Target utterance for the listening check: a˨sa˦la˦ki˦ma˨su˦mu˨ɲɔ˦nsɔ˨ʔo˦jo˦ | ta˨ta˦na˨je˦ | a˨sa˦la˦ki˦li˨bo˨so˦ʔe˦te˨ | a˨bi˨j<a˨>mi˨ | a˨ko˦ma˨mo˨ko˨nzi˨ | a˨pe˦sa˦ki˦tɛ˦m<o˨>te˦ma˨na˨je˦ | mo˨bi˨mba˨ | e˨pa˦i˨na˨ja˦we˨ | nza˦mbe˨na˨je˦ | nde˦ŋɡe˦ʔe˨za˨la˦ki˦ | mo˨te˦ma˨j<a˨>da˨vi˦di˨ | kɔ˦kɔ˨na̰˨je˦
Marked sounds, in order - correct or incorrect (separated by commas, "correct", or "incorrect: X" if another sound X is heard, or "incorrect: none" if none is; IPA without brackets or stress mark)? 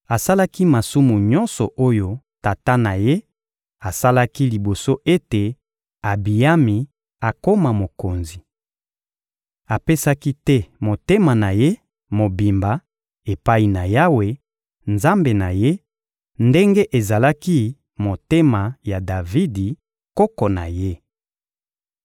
incorrect: a˦, correct, correct